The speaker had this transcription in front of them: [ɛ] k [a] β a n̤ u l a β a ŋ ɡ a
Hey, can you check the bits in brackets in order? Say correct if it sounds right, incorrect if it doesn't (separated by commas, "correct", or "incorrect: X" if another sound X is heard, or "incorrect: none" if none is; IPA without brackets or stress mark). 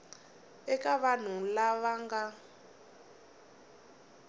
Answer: correct, correct